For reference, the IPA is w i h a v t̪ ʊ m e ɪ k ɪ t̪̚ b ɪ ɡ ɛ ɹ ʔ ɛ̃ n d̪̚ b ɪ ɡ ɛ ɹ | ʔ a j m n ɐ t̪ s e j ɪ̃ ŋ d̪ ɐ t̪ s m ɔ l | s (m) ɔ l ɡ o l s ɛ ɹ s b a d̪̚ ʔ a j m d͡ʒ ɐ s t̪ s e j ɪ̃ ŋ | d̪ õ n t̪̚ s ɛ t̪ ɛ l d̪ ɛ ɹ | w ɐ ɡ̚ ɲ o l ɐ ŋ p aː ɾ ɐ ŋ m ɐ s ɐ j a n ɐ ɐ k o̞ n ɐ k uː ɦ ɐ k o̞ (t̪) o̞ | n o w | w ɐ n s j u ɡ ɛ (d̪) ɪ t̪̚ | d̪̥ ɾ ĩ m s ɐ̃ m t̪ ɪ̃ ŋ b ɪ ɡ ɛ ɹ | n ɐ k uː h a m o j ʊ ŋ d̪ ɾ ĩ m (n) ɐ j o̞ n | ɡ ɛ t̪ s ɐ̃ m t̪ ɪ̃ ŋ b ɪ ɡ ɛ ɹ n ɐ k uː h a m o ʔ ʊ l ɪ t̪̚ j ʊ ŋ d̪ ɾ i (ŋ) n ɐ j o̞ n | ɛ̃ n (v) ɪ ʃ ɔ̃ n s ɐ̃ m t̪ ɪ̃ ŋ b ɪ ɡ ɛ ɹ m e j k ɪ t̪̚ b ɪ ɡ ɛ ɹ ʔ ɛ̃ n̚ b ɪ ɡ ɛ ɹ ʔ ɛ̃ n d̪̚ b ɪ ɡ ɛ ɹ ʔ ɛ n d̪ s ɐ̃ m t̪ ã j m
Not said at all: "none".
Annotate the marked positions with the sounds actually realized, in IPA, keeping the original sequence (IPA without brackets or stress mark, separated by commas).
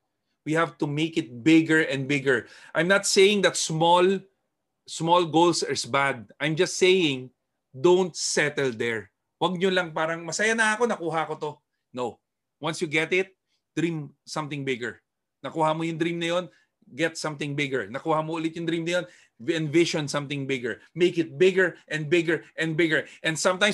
m, t̪, t̪, n, m, v